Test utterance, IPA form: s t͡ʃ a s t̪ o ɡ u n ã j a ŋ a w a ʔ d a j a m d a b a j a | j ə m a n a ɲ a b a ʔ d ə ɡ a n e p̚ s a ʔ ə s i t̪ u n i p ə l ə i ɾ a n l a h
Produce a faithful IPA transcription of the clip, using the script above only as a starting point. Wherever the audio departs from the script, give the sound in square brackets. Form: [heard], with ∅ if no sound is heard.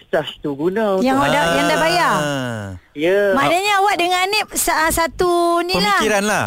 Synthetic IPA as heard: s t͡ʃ a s t̪ [u] ɡ u n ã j a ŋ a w a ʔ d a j a [ŋ] d a b a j a | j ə m a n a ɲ a [w] a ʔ d ə [ŋ] a n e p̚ s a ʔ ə s [a] t̪ u n i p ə l [a] i ɾ a n l a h